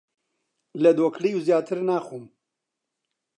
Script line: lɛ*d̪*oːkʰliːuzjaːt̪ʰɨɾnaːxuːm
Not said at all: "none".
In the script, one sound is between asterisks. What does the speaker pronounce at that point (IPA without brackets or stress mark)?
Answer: d̪